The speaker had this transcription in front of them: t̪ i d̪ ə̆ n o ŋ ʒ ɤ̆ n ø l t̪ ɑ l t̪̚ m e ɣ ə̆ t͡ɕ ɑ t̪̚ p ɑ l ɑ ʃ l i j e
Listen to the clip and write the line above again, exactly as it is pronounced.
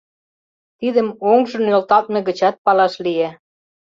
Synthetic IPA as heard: t̪ i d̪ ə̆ m o ŋ ʒ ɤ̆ n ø l t̪ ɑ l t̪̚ m e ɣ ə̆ t͡ɕ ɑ t̪̚ p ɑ l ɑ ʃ l i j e